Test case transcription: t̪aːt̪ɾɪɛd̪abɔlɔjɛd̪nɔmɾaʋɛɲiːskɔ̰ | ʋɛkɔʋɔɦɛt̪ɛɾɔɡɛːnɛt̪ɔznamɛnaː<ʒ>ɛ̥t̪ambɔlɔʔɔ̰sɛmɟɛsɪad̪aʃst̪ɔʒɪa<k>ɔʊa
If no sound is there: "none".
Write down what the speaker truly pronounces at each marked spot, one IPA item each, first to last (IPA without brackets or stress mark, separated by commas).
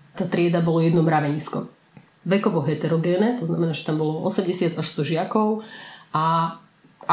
ʒ, k